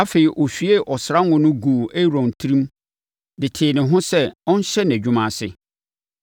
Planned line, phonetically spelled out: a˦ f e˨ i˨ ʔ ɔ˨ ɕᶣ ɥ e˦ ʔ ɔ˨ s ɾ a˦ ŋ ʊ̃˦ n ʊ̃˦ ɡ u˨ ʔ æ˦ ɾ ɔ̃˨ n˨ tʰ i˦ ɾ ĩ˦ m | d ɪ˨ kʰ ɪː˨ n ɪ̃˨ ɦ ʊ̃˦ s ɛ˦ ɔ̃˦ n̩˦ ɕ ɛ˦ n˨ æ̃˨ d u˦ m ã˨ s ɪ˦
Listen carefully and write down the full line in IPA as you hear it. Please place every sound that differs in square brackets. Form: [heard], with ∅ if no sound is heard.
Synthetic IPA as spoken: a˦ f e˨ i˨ ʔ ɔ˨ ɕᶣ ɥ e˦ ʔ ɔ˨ s ɾ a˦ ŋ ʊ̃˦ n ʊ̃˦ ɡ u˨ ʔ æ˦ ɾ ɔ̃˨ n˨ tʰ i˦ ɾ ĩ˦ m | d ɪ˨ [tʰ] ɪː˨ n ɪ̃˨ ɦ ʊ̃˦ s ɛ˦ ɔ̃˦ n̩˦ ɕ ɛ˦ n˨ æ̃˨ [d͡ʑᶣ] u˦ m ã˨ s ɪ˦